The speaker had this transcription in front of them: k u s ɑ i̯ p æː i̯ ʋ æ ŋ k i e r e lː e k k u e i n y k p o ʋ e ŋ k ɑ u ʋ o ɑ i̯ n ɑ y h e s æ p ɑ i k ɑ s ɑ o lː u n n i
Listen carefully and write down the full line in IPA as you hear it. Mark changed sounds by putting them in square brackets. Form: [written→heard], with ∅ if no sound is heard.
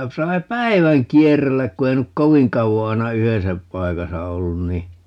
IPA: k u s ɑ i̯ p [æː→æ] i̯ ʋ æ ŋ k i e r e lː [e→æ] k k u e i n y k [p→k] o ʋ [e→i] ŋ k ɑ u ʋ o ɑ i̯ n ɑ y h e s æ p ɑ i k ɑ s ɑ o lː u n n i